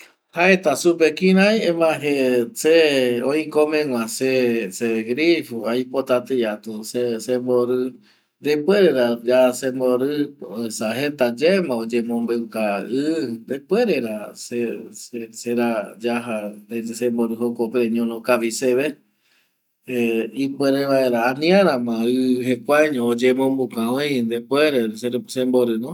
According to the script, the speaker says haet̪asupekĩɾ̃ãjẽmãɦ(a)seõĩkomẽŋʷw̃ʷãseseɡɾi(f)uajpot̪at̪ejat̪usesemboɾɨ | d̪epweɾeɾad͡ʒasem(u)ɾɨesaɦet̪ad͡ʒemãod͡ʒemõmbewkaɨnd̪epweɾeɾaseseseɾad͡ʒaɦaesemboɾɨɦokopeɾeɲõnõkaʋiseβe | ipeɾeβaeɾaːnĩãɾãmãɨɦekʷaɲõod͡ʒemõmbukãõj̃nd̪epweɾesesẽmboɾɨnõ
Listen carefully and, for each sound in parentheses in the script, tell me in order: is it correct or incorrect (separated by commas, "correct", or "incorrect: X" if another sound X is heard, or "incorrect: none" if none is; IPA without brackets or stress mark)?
incorrect: e, correct, incorrect: o